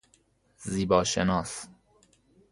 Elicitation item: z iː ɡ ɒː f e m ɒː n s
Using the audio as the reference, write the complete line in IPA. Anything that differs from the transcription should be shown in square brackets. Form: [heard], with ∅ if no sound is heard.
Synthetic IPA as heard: z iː [b] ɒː [ʃ] e [n] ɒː [∅] s